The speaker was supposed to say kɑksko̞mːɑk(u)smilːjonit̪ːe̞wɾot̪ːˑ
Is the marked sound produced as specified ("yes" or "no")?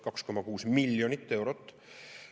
no